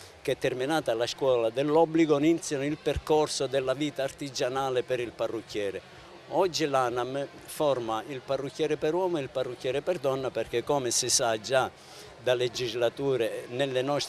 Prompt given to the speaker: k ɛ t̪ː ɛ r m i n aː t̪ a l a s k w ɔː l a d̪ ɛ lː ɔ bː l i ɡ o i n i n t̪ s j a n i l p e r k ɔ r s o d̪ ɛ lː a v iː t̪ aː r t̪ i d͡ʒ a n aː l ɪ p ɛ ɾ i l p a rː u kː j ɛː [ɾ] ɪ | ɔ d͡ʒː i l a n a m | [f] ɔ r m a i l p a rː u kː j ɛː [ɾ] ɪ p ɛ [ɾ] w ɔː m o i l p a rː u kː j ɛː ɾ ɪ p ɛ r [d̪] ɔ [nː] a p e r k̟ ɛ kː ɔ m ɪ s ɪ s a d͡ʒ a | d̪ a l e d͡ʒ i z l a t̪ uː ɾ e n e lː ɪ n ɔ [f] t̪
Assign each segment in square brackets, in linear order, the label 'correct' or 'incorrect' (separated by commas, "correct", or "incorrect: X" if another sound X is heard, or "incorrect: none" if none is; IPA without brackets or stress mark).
correct, correct, correct, correct, correct, correct, incorrect: s